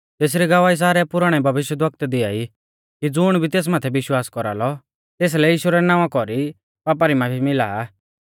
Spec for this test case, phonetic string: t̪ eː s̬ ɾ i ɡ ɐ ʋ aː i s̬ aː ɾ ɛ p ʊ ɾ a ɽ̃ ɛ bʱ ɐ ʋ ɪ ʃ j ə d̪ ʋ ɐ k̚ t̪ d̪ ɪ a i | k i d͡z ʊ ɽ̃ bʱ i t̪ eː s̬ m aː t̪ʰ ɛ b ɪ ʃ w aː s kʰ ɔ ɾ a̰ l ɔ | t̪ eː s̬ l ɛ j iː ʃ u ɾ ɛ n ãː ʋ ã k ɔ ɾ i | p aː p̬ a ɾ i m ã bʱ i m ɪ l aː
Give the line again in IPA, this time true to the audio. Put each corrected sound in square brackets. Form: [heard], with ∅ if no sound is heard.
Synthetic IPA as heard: t̪ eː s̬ ɾ i ɡ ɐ ʋ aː i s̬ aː ɾ ɛ p ʊ ɾ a ɽ̃ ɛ bʱ ɐ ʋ ɪ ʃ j ə d̪ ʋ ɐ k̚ t̪ d̪ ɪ a i | k i d͡z ʊ ɽ̃ bʱ i t̪ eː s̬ m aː t̪ʰ ɛ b ɪ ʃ w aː s [k] ɔ ɾ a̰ l ɔ | t̪ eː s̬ l ɛ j iː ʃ u ɾ ɛ n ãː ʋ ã k ɔ ɾ i | p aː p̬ a ɾ i m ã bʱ i m ɪ l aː